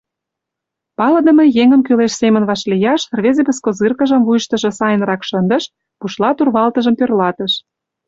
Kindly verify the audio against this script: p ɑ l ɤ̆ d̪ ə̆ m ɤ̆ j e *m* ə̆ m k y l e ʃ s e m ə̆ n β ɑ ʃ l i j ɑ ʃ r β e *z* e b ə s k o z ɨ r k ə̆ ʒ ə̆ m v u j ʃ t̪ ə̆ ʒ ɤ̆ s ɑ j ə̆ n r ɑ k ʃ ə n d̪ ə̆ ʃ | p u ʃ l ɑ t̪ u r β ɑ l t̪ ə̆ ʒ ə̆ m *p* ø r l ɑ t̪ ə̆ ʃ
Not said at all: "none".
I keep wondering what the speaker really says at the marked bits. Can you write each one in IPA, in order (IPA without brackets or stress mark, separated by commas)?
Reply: ŋ, z, p